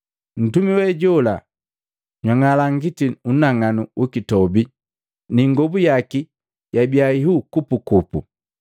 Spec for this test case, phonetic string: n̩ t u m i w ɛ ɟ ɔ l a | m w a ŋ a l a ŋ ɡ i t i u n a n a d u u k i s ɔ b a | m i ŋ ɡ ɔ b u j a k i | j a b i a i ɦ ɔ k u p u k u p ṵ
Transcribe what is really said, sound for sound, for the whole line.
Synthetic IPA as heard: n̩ t u m i w ɛ ɟ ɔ l a | ɲ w a ŋ a l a ŋ ɡ i t i u n a ŋ a n u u k i t ɔ b i | n i ŋ ɡ ɔ b u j a k i | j a b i a i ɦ u k u p u k u p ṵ